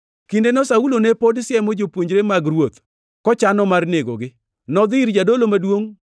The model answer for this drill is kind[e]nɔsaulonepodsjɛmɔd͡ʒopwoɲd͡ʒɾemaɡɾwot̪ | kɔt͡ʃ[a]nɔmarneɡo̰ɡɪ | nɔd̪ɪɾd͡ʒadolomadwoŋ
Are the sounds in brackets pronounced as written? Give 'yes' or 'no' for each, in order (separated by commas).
yes, yes